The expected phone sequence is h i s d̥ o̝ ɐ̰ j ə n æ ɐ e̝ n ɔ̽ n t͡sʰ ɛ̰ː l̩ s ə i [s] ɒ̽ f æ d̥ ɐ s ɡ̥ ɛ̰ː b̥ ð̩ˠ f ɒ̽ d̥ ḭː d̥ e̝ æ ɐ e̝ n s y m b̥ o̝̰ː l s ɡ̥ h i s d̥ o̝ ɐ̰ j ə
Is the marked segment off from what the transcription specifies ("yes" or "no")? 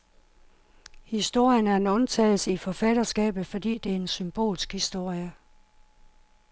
yes